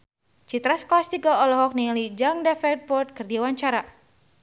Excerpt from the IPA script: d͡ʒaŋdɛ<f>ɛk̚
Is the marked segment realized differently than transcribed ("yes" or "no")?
no